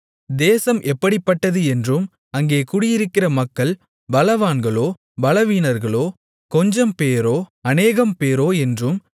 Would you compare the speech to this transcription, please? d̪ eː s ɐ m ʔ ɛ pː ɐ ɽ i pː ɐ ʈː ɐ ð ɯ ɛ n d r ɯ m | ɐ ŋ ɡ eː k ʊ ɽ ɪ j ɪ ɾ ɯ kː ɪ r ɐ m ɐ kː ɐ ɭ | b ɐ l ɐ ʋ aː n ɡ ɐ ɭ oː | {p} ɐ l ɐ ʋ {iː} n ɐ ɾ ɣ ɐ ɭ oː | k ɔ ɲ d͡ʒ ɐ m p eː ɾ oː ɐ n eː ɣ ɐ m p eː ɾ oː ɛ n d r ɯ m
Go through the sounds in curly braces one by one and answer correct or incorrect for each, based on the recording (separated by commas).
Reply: incorrect, correct